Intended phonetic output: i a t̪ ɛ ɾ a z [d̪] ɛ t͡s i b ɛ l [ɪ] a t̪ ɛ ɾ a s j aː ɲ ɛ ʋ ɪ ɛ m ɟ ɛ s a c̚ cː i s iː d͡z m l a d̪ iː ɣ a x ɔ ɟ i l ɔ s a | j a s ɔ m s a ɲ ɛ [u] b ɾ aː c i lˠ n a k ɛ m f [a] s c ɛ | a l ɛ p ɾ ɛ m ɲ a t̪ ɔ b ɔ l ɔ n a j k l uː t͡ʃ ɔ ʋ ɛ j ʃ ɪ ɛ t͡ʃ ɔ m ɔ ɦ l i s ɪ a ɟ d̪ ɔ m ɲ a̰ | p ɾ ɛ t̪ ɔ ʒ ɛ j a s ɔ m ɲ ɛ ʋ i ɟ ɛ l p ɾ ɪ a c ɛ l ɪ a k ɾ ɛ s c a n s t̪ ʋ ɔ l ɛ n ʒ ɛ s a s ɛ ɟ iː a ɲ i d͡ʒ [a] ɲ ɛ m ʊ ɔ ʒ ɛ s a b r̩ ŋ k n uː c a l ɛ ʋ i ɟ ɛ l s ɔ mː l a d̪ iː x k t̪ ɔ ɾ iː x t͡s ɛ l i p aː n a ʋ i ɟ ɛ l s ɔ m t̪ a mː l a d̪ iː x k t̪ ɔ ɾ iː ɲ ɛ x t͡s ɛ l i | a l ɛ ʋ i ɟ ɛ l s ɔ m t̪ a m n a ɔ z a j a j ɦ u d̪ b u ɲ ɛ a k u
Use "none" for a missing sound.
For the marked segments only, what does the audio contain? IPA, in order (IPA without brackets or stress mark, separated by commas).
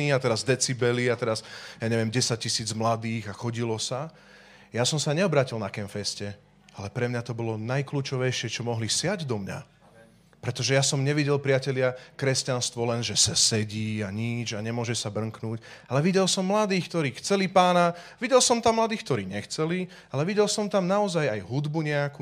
d̪, i, ɔ, ɛ, a